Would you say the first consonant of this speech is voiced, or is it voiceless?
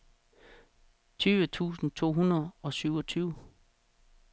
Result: voiceless